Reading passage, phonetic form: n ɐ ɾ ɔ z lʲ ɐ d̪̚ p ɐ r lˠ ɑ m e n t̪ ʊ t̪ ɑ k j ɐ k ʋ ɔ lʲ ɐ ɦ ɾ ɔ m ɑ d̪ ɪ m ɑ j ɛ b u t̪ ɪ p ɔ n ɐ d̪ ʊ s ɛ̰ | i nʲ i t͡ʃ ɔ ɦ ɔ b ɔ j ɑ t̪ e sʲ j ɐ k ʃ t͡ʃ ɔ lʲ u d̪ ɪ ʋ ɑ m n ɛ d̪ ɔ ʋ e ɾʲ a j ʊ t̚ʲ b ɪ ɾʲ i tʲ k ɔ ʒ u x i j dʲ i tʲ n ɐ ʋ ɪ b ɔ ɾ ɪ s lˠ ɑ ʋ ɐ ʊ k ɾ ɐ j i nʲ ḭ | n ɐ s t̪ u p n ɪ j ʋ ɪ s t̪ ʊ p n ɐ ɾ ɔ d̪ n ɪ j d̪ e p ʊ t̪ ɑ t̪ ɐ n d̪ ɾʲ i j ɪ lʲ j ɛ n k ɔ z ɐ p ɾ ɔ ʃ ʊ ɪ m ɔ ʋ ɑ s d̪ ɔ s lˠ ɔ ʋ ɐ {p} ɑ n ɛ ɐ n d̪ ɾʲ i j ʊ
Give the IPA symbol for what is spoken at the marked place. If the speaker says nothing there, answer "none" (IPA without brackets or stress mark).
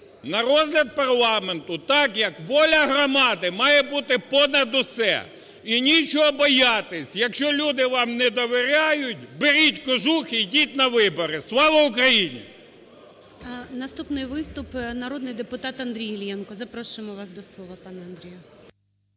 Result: p